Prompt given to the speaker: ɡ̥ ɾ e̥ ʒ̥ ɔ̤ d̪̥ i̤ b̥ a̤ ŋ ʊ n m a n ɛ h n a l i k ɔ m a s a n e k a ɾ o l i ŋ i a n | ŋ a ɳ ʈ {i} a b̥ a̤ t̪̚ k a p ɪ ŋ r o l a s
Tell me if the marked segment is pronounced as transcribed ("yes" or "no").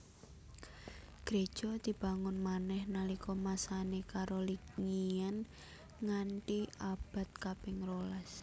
yes